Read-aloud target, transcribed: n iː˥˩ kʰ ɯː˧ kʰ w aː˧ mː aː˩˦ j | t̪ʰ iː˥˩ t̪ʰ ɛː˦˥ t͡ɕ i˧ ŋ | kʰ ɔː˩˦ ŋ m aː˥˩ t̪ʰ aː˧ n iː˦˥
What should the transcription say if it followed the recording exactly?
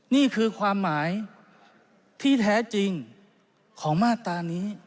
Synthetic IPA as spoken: n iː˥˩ kʰ ɯː˧ kʰ w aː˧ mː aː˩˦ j | t̪ʰ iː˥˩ t̪ʰ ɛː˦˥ t͡ɕ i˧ ŋ | kʰ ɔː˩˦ ŋ m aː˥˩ t̪ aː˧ n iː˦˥